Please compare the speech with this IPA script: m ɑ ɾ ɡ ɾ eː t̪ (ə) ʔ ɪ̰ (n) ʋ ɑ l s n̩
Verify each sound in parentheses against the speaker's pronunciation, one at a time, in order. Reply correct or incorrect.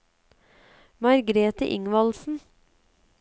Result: correct, incorrect: ŋ

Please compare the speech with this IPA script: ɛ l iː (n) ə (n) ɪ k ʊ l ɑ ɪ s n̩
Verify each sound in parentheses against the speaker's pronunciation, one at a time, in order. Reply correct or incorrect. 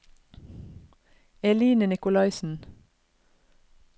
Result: correct, correct

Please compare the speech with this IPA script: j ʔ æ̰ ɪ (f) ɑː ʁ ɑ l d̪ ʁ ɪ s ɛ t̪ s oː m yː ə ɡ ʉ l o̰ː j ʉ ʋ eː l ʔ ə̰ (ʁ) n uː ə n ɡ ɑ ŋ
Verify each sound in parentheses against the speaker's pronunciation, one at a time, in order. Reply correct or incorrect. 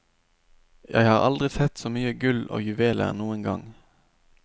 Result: incorrect: h, correct

